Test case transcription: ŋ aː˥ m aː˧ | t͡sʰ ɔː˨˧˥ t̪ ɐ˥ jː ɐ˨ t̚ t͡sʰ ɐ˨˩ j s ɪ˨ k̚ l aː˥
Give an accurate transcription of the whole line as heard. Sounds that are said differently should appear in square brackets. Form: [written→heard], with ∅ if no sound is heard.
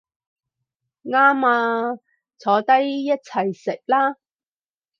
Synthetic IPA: ŋ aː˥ m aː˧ | t͡sʰ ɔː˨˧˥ t̪ ɐ˥ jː [ɐ˨→ɐ˥] t̚ t͡sʰ ɐ˨˩ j s ɪ˨ k̚ l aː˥